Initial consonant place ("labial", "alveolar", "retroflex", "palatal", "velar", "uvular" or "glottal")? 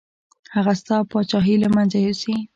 glottal